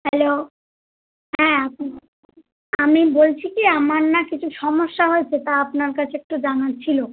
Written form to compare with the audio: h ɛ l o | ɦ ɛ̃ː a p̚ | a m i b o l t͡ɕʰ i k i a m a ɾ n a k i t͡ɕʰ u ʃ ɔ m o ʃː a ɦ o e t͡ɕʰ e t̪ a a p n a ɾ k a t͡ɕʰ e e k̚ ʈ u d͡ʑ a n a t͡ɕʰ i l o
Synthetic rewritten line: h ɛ l o | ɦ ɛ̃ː a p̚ | a m i b o l t͡ɕʰ i k i a m a ɾ n a k i t͡ɕʰ u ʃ ɔ m o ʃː a ɦ o e t͡ɕʰ e t̪ a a p n a ɾ k a t͡ɕʰ e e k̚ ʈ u d͡ʑ a n a t͡ɕʰ i l o